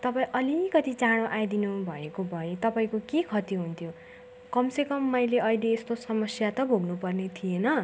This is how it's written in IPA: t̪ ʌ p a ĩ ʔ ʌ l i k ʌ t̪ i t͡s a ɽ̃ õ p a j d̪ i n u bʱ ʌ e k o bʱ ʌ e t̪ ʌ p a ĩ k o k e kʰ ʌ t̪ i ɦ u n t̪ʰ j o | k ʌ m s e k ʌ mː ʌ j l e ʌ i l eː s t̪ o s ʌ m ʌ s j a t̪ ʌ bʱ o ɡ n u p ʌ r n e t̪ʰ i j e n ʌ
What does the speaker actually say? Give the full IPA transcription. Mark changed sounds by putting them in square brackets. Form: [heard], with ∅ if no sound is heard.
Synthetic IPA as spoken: t̪ ʌ p a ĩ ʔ ʌ l i k ʌ t̪ i t͡s a ɽ̃ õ [ʔ] a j d̪ i n u bʱ ʌ e k o bʱ ʌ e t̪ ʌ p a ĩ k o k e kʰ ʌ t̪ i ɦ u n t̪ʰ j o | k ʌ m s e k ʌ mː ʌ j l e ʌ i l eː s t̪ o s ʌ m ʌ s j a t̪ ʌ bʱ o ɡ n u p ʌ r n e t̪ʰ i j e n ʌ